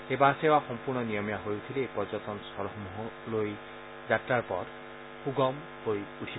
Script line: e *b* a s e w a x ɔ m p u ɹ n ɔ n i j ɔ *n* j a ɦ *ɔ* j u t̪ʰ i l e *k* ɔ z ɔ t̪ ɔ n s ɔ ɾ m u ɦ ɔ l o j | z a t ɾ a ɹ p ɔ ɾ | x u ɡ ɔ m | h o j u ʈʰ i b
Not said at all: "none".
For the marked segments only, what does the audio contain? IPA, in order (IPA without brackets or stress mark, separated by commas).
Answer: b, m, o, p